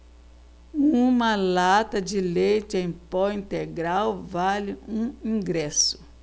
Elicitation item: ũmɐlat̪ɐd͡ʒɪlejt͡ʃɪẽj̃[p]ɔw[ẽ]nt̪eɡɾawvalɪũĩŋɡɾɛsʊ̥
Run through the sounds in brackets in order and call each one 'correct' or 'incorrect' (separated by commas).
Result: correct, incorrect